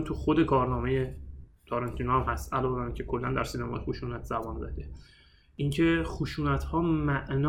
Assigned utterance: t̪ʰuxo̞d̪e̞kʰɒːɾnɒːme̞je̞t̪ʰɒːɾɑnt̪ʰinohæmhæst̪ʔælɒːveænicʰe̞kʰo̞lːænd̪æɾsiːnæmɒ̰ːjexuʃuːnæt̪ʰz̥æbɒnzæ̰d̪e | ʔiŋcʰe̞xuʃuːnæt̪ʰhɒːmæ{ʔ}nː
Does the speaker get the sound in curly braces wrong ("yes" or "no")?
no